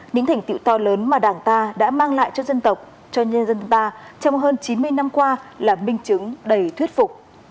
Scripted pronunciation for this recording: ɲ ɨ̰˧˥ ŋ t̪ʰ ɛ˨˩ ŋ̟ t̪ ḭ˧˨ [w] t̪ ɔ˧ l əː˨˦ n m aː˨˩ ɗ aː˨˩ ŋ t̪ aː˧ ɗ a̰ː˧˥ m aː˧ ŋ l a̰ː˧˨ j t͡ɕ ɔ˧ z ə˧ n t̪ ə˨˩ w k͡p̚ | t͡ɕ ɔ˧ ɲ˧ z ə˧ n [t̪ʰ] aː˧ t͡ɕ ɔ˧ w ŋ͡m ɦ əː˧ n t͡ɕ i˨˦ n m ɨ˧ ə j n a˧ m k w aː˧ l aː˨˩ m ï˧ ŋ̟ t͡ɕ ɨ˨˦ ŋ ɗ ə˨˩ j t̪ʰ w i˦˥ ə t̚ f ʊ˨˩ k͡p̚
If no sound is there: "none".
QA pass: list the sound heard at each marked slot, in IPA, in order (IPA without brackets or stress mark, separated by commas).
w, t̪